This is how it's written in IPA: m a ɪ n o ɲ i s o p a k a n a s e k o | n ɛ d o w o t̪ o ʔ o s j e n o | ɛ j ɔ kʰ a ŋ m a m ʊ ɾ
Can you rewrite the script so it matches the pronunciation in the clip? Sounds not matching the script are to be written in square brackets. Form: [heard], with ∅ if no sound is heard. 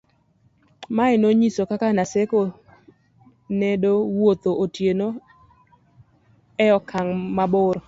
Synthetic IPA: m a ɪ n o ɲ i s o [k] a k a n a s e k o | n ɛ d o w o t̪ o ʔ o [t] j e n o | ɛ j ɔ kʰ a ŋ m a [b] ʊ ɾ